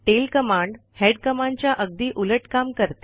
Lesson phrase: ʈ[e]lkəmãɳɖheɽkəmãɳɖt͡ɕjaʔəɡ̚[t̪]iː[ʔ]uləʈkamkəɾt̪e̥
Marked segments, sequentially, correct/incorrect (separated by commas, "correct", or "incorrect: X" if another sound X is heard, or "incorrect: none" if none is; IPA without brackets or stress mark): correct, incorrect: d̪, correct